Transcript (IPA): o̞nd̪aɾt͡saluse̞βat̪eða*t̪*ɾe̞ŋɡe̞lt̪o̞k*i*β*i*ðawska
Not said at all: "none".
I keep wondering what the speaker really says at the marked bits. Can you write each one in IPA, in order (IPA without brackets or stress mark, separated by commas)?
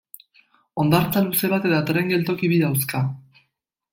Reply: t̪, i, i